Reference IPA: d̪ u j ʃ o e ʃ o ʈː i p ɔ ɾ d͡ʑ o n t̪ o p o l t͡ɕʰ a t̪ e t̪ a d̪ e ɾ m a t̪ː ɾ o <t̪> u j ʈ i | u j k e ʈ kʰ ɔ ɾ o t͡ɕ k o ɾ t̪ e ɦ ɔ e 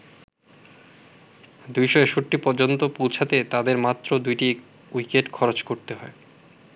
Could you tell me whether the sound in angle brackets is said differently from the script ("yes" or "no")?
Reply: yes